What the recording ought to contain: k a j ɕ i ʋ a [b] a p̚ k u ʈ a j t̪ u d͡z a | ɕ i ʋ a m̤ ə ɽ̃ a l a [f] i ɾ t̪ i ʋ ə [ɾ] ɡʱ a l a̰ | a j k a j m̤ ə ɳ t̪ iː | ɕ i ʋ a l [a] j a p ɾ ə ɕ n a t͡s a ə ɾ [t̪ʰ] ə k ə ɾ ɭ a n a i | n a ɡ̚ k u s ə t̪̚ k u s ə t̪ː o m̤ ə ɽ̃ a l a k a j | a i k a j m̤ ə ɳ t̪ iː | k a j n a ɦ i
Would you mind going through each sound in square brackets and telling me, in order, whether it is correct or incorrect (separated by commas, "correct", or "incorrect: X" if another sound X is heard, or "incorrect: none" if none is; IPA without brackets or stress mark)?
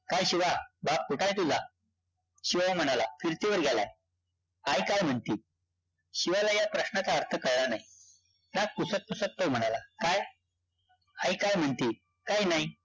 correct, correct, correct, correct, correct